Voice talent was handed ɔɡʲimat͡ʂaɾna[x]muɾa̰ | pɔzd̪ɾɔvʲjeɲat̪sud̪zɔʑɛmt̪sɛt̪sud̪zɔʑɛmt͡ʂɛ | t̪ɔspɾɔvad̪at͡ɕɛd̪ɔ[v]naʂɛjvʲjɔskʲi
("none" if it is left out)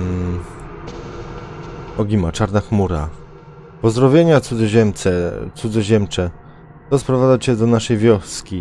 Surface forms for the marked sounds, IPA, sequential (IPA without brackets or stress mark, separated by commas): x, none